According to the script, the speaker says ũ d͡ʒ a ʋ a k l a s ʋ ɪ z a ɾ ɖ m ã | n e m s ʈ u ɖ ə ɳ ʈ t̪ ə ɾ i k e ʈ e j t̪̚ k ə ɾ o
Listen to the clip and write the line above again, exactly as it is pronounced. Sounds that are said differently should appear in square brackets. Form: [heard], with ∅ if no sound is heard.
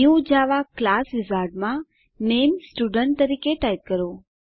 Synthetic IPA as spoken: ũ d͡ʒ a ʋ a k l a s ʋ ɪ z a ɾ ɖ m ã | n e m s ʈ u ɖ ə ɳ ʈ t̪ ə ɾ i k e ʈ [a] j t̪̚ k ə ɾ o

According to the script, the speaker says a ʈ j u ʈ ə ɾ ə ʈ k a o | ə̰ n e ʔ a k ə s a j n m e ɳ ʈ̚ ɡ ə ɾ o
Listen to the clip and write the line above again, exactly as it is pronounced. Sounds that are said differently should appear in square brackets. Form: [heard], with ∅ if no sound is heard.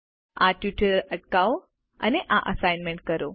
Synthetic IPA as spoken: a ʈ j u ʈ ə ɾ ə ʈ k a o | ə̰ n e ʔ a [ʔ] ə s a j n m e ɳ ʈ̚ [k] ə ɾ o

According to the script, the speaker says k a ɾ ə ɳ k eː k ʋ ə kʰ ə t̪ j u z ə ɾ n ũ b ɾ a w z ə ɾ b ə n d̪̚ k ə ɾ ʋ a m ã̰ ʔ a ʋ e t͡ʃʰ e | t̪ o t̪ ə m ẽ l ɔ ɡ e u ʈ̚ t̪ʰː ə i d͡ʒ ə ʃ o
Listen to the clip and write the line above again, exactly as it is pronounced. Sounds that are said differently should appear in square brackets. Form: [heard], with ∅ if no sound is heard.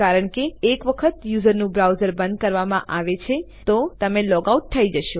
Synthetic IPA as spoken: k a ɾ ə ɳ k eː k ʋ ə kʰ ə t̪ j u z ə ɾ n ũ b ɾ a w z ə ɾ b ə n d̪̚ k ə ɾ ʋ a m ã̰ ʔ a ʋ e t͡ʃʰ e | t̪ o t̪ ə m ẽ l ɔ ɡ [a] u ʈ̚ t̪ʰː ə i d͡ʒ ə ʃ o

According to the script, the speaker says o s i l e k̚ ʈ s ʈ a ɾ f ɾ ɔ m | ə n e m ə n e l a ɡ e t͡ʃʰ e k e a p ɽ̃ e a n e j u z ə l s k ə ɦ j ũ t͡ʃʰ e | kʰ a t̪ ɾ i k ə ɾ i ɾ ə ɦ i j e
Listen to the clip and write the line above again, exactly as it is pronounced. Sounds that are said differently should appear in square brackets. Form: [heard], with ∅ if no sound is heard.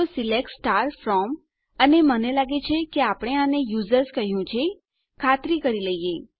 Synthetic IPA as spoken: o s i l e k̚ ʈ s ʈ a ɾ f ɾ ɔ m | ə n e m ə n e l a ɡ e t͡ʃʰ e k e a p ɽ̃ e a n e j u z ə [ɾ] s k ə ɦ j ũ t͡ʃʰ e | kʰ a t̪ ɾ i k ə ɾ i [l] ə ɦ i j e

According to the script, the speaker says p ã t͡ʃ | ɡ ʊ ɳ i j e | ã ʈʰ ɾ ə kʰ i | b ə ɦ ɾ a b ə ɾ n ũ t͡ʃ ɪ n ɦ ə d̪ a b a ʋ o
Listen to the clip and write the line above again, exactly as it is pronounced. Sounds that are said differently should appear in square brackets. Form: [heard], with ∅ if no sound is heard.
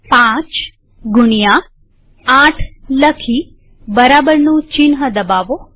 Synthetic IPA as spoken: p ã t͡ʃ | ɡ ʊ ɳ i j [a] | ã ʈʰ [l] ə kʰ i | b ə [∅] ɾ a b ə ɾ n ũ t͡ʃ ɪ n ɦ ə d̪ [ə] b a ʋ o

